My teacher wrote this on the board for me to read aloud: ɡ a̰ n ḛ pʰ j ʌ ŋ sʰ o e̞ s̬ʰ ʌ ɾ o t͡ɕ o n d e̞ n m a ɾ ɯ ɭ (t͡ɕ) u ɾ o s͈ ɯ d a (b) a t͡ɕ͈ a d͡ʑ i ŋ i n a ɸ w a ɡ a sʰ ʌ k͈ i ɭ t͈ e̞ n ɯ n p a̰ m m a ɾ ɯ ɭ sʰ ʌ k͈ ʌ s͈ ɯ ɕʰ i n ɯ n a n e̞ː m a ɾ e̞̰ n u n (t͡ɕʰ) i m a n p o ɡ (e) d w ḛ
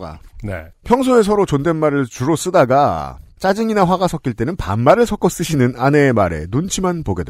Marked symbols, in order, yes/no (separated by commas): yes, no, yes, yes